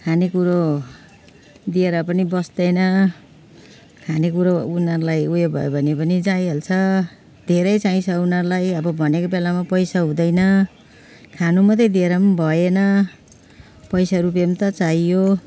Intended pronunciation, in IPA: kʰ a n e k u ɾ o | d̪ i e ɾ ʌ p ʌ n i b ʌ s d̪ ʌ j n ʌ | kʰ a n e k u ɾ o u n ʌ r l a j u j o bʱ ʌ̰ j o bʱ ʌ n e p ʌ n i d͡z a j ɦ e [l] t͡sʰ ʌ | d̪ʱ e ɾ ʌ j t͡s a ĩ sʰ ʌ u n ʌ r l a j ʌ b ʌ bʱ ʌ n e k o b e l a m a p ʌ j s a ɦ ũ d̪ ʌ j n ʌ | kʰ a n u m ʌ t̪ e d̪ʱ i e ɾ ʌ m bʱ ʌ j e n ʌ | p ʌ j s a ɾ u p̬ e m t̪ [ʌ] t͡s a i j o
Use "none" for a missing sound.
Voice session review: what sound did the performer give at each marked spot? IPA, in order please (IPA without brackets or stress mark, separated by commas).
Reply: l, ʌ